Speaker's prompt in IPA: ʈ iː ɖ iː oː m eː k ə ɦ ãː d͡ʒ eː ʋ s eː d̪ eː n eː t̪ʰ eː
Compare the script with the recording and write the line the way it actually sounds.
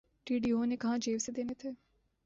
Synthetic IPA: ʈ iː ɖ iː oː n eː k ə ɦ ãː d͡ʒ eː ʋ s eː d̪ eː n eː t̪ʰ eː